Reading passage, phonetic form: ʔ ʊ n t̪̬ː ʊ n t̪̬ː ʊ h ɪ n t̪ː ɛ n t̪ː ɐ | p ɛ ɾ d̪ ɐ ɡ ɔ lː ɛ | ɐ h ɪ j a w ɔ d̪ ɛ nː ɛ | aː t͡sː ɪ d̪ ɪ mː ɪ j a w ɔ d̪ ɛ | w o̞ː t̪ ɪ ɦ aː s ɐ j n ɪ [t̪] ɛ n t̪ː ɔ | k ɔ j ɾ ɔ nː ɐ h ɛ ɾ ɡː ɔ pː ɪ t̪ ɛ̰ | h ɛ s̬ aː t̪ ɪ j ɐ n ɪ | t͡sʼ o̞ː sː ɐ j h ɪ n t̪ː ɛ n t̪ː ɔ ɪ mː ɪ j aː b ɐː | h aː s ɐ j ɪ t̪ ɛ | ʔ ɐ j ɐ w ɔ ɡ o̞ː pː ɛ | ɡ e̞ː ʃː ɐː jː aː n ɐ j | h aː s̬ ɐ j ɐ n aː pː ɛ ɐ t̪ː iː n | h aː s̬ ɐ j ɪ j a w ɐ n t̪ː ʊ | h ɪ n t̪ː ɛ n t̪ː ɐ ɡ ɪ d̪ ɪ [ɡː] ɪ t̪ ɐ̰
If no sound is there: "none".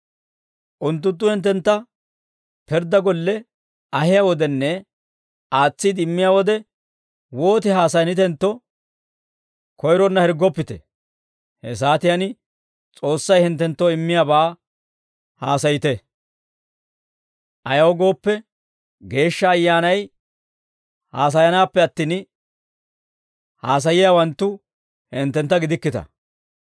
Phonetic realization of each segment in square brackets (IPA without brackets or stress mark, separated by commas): t̪, kː